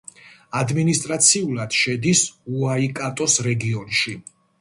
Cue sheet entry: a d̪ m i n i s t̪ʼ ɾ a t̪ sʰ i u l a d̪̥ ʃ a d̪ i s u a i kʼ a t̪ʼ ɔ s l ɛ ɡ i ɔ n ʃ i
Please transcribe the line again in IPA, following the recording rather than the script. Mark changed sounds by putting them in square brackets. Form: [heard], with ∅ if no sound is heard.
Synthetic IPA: a d̪ m i n i s t̪ʼ ɾ a t̪ sʰ i u l a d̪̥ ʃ [ɛ] d̪ i s u a i kʼ a t̪ʼ ɔ s [ɾ] ɛ ɡ i ɔ n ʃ i